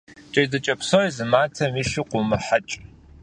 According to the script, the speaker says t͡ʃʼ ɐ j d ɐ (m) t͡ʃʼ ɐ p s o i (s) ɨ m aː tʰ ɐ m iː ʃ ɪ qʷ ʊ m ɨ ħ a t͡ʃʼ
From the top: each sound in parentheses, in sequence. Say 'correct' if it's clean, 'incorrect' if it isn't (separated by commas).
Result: incorrect, incorrect